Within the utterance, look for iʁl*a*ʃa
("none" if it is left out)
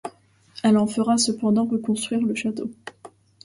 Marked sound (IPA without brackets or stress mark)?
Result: ə